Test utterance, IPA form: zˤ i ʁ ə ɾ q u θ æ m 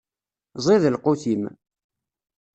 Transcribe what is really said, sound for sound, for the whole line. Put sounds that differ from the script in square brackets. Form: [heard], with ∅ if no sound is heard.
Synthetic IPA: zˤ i [ð] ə [l] q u θ [i] m